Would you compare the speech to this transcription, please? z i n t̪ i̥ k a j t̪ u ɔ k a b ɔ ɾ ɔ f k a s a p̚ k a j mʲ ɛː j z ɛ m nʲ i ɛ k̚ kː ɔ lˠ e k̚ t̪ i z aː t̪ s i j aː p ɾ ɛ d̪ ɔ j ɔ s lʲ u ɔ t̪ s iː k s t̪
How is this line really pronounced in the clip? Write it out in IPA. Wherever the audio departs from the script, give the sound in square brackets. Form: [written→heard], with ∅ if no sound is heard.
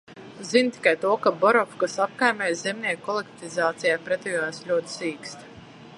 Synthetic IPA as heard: z i n t̪ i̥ k a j t̪ u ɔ k a b ɔ ɾ ɔ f k a s a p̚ k a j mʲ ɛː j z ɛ m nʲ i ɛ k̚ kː ɔ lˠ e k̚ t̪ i z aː t̪ s i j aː p ɾ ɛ [d̪→t̪] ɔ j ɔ s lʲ u ɔ t̪ s iː k s t̪